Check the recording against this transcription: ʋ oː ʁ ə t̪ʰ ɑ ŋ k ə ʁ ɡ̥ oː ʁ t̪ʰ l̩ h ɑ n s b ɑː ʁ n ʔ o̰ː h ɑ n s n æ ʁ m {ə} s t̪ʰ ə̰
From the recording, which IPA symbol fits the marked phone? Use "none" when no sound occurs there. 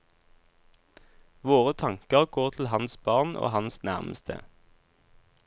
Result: ə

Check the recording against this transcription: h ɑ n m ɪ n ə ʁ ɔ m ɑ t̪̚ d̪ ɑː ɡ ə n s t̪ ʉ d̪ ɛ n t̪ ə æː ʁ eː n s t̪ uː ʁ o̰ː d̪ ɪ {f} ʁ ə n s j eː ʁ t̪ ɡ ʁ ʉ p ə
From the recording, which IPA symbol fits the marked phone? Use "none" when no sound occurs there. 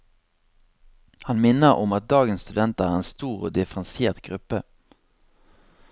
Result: f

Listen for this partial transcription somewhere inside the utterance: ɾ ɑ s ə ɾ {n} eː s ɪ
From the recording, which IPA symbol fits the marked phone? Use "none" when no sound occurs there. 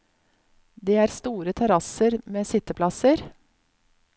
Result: m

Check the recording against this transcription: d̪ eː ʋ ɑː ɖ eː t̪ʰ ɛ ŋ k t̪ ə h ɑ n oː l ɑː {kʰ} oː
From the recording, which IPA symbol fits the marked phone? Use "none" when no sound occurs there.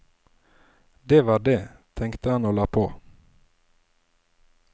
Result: pʰ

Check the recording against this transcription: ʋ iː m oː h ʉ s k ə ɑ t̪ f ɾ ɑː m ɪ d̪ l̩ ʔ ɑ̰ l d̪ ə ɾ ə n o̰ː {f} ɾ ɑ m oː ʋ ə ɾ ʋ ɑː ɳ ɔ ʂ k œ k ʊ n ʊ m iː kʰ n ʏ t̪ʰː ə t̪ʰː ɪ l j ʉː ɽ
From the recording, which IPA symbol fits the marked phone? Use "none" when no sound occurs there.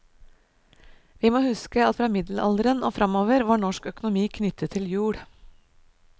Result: f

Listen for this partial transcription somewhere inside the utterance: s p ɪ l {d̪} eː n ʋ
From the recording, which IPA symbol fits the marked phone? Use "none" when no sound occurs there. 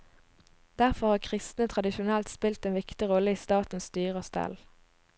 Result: t̪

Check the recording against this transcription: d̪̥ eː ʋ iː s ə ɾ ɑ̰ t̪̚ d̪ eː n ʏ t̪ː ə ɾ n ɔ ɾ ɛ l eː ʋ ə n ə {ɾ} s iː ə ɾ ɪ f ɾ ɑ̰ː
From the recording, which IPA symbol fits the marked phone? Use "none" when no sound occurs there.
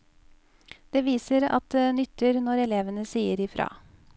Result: none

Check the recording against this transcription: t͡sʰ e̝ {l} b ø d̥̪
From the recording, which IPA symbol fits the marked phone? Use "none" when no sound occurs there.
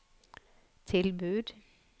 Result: l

